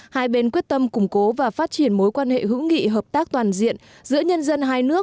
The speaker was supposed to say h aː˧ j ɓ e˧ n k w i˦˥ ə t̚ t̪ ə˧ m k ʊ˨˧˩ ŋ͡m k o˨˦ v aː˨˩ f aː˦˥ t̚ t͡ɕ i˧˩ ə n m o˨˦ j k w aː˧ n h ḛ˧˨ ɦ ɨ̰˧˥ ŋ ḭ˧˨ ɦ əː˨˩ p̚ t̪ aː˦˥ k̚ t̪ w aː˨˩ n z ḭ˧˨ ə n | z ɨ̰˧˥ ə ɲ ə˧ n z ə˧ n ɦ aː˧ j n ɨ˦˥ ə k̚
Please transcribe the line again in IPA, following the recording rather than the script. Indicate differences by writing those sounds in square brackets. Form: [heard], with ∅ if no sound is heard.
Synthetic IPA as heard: h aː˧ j ɓ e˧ n k w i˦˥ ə t̚ t̪ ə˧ m k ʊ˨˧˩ ŋ͡m k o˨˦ v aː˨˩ f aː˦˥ t̚ t͡ɕ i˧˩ ə n m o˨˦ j k w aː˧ n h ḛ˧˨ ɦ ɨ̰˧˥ ŋ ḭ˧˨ ɦ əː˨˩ p̚ t̪ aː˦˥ k̚ t̪ w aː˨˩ n z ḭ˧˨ ə n | z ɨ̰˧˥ ə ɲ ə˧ n z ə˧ n ɦ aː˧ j n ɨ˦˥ ə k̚

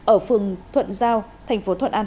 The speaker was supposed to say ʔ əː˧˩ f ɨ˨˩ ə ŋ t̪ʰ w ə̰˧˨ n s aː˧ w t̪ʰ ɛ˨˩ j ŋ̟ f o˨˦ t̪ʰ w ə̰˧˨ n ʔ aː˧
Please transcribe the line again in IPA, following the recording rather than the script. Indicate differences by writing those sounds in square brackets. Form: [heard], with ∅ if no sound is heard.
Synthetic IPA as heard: ʔ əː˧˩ f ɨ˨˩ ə ŋ t̪ʰ w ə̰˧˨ n [z] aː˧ w t̪ʰ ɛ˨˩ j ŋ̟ f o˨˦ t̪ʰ w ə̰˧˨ n ʔ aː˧

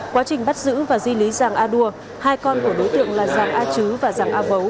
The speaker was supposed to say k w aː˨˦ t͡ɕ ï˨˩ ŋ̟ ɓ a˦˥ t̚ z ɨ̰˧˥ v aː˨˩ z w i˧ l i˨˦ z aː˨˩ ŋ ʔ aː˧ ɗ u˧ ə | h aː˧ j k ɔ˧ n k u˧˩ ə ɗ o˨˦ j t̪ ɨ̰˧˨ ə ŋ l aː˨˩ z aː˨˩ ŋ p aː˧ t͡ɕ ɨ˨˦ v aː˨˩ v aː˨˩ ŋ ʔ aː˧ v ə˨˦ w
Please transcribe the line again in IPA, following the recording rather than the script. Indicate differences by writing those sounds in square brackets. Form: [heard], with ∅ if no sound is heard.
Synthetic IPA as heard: k w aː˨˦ t͡ɕ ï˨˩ ŋ̟ ɓ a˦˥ t̚ z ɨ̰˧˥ v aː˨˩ z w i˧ l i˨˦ z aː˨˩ ŋ ʔ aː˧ ɗ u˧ ə | h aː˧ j k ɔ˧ n k u˧˩ ə ɗ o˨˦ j t̪ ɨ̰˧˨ ə ŋ l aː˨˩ z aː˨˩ ŋ [ʔ] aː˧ t͡ɕ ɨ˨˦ v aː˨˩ [z] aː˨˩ ŋ ʔ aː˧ v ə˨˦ w

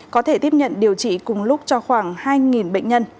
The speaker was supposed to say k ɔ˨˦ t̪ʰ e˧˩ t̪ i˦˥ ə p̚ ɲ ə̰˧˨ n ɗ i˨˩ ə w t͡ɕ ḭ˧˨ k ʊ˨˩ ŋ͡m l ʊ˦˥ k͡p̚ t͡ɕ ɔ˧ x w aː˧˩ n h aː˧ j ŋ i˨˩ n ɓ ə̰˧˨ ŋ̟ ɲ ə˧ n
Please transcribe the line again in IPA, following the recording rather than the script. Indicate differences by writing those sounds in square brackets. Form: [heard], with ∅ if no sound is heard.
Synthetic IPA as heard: k ɔ˨˦ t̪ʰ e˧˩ t̪ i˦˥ ə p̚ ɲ ə̰˧˨ n ɗ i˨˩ ə w t͡ɕ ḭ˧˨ k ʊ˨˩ ŋ͡m l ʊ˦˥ k͡p̚ t͡ɕ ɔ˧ x w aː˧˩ [ŋ] h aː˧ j ŋ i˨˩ n ɓ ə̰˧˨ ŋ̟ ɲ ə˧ n

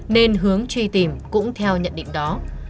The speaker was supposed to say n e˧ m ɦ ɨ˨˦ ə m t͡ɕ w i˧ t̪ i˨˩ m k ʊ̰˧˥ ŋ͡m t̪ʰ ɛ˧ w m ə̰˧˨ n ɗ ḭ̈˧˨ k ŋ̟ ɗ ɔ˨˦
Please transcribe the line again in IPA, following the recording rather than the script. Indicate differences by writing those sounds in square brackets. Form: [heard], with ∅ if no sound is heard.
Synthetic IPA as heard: n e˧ [n] ɦ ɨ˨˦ ə [ŋ] t͡ɕ w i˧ t̪ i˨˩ m k ʊ̰˧˥ ŋ͡m t̪ʰ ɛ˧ w [ɲ] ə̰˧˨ n ɗ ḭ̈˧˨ [∅] ŋ̟ ɗ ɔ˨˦

